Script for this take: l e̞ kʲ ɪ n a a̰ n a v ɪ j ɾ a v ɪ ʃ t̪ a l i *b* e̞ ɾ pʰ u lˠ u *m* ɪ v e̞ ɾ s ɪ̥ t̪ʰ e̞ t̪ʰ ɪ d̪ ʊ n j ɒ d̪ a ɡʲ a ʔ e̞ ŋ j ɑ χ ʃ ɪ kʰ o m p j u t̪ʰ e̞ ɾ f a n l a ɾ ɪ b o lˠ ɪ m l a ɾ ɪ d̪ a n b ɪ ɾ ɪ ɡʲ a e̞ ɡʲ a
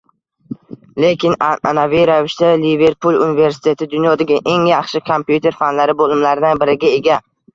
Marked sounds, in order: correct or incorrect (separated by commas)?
incorrect, incorrect